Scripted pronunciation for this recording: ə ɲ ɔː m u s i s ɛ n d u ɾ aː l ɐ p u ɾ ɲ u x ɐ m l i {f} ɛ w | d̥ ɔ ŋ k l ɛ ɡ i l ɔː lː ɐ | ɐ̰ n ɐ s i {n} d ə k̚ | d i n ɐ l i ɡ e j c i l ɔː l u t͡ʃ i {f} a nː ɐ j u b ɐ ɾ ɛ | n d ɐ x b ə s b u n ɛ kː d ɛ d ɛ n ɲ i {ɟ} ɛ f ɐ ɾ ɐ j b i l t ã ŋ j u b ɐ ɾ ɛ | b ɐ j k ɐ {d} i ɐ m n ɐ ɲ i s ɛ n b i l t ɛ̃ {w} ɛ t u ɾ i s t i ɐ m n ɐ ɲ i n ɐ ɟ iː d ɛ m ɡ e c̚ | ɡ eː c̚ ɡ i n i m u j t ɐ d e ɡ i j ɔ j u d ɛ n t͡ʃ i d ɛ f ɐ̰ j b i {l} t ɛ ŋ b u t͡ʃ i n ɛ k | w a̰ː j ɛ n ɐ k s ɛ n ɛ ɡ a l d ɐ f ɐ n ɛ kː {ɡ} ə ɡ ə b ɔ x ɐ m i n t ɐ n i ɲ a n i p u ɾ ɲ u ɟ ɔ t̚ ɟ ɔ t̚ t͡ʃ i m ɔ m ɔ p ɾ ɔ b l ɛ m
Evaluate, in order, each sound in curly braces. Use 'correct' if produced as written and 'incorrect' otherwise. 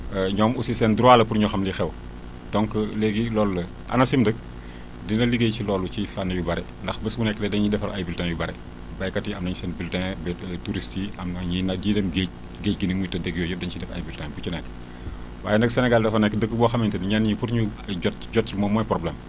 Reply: incorrect: x, incorrect: m, correct, incorrect: d, incorrect: t, incorrect: b, correct, incorrect: d

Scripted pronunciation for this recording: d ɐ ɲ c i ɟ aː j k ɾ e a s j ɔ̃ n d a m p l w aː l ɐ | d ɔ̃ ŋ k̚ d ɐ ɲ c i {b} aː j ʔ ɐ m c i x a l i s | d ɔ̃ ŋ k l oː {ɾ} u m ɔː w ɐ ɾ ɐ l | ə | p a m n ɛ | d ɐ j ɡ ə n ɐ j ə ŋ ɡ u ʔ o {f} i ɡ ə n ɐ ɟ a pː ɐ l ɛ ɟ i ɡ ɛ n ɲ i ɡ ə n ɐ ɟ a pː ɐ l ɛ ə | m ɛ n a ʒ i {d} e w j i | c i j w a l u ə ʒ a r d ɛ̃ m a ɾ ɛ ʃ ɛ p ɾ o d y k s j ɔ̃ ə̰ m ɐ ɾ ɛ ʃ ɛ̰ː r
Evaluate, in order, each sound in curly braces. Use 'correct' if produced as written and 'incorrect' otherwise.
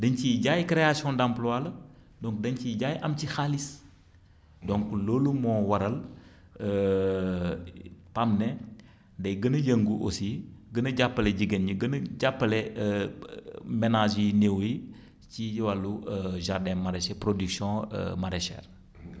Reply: incorrect: ɟ, incorrect: l, incorrect: s, incorrect: n

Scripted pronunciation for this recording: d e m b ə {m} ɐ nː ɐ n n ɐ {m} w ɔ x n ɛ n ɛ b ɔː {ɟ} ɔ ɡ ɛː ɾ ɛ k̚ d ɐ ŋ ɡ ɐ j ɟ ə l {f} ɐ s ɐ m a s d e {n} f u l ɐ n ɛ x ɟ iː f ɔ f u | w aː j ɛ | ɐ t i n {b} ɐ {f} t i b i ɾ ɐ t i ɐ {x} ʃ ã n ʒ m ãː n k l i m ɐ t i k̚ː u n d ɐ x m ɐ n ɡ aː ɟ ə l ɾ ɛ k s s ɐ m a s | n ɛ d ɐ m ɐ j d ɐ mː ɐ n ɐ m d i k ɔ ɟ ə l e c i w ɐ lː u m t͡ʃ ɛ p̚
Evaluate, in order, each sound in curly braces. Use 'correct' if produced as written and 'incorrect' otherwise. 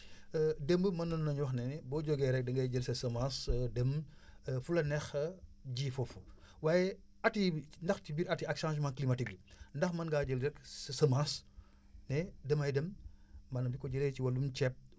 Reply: correct, incorrect: ɲ, correct, incorrect: s, incorrect: m, incorrect: d, incorrect: x, incorrect: k

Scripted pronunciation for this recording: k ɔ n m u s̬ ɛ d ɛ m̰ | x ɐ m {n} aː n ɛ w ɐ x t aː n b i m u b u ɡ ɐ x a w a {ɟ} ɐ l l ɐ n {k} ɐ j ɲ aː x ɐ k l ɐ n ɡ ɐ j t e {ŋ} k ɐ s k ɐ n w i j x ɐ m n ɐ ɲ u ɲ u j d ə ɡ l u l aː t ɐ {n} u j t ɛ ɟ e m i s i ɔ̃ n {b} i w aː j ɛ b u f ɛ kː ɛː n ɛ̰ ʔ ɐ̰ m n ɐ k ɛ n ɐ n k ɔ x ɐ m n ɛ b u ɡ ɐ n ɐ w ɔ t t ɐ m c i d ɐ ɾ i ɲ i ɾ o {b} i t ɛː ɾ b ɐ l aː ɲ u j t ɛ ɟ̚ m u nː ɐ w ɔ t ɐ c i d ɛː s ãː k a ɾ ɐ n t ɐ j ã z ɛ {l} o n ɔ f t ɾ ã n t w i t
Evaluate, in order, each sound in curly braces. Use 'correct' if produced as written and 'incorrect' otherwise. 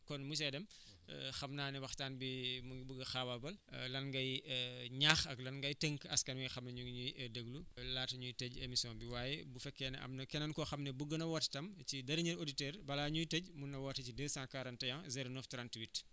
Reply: correct, incorrect: b, incorrect: ɡ, correct, incorrect: ɲ, correct, incorrect: d, incorrect: ɾ

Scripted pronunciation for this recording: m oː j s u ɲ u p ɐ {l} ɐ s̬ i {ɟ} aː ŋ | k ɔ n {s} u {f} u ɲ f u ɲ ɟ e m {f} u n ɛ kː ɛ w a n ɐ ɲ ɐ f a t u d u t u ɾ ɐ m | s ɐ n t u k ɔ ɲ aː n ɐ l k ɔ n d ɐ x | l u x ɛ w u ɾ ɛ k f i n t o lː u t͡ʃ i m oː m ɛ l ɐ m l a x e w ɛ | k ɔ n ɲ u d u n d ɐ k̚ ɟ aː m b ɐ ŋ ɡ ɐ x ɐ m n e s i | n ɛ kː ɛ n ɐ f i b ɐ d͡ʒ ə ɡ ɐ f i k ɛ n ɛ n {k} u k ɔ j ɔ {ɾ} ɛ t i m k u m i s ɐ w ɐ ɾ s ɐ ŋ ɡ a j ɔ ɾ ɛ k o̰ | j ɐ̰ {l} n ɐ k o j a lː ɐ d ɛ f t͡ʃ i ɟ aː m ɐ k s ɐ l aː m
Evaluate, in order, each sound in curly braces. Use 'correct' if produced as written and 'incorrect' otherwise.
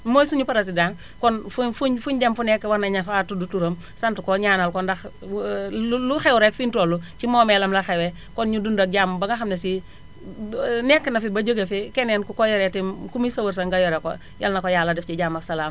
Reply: incorrect: ɾ, incorrect: d, incorrect: f, correct, correct, correct, correct, correct

